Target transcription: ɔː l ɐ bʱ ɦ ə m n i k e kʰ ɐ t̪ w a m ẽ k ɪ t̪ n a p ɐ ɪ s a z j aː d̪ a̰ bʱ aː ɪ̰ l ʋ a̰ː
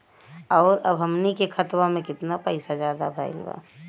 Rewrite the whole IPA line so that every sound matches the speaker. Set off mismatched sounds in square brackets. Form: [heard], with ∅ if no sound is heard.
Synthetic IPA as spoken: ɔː [ɾ] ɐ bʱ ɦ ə m n i k e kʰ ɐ t̪ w a m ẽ k ɪ t̪ n a p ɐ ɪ s a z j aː d̪ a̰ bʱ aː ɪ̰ l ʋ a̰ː